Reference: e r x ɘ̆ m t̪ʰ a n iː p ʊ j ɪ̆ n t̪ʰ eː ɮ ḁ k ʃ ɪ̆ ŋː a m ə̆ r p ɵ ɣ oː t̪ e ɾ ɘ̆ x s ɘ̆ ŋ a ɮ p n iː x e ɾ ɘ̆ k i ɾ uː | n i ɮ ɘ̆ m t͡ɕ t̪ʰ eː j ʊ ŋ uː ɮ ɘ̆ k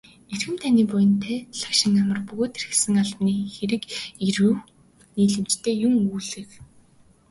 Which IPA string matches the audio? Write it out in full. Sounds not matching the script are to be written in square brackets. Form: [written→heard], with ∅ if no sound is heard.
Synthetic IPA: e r x ɘ̆ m t̪ʰ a n iː p ʊ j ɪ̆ n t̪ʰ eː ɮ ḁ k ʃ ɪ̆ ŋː a m ə̆ r p ɵ ɣ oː t̪ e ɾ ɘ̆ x s ɘ̆ ŋ a ɮ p n iː x e ɾ ɘ̆ k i ɾ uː | n [i→iː] ɮ ɘ̆ m t͡ɕ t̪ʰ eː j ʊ ŋ uː ɮ ɘ̆ k